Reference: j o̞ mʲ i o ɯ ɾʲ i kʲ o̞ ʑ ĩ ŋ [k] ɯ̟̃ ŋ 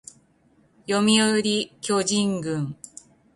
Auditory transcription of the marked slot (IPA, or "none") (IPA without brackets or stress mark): ɡ